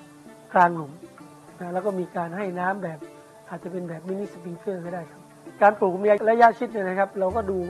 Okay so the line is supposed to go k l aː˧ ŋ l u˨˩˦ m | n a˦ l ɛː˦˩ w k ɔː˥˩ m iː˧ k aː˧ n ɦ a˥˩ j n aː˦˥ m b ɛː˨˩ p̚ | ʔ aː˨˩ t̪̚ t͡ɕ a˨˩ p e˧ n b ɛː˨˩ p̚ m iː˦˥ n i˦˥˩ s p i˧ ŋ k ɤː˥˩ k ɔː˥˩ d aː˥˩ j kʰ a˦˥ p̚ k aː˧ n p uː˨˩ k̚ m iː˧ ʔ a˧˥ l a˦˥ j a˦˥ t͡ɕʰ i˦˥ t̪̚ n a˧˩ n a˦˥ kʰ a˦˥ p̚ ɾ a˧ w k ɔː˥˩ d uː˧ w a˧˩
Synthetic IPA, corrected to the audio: k l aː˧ ŋ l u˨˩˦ m | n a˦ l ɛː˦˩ w k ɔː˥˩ m iː˧ k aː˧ n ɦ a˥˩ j n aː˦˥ m b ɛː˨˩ p̚ | ʔ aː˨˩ t̪̚ t͡ɕ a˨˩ p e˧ n b ɛː˨˩ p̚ m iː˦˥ n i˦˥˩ s p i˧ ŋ k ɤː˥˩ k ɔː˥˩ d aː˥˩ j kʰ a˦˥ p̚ k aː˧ n p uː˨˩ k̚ m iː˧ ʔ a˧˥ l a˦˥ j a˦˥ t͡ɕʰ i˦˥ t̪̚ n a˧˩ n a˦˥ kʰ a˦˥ p̚ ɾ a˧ w k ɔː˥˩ d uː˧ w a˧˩